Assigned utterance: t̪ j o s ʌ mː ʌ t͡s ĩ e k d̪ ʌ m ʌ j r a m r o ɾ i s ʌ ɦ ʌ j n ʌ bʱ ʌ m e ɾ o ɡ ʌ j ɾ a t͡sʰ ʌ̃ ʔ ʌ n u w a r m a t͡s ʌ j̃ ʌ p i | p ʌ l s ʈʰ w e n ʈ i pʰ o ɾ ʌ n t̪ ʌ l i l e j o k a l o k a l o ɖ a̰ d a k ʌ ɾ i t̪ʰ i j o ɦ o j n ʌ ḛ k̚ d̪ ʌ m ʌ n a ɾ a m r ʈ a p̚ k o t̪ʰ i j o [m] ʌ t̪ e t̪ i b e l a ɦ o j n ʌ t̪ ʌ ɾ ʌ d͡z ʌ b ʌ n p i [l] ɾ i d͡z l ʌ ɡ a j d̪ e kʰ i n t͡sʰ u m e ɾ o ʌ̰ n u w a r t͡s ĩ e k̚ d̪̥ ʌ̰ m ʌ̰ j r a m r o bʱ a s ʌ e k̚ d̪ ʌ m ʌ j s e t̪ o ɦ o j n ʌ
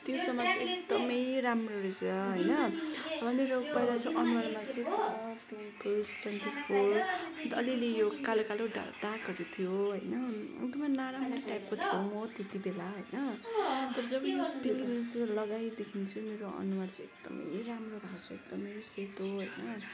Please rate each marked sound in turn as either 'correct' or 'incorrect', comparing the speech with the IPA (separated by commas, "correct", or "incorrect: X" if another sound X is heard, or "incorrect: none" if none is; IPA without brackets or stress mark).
correct, correct